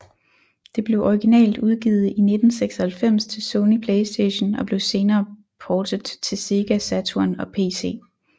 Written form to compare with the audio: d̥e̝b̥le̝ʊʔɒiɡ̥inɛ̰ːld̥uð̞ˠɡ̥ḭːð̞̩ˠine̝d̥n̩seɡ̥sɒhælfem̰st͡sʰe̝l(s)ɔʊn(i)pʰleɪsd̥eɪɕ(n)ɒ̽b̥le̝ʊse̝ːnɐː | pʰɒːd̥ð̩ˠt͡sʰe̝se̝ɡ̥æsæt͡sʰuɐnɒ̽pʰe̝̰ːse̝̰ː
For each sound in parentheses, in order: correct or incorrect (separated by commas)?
correct, correct, correct